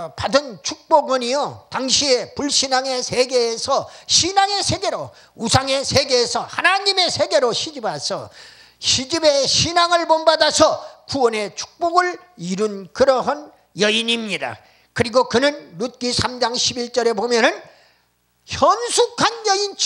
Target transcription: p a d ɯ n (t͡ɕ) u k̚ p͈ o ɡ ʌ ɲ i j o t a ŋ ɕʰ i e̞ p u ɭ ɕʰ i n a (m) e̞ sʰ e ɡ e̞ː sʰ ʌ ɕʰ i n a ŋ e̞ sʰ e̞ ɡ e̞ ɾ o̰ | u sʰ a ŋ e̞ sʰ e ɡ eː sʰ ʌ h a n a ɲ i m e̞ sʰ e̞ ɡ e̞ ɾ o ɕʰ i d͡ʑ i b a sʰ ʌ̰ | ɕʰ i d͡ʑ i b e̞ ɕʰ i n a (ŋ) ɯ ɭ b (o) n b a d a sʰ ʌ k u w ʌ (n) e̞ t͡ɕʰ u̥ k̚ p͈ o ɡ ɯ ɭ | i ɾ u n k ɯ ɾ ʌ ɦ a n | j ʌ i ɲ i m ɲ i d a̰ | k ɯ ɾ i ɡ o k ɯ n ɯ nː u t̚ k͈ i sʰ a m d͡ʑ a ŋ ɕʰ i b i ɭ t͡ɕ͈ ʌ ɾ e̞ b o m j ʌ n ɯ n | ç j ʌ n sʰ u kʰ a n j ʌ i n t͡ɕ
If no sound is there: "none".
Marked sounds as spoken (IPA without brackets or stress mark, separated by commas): t͡ɕʰ, ŋ, ŋ, o, n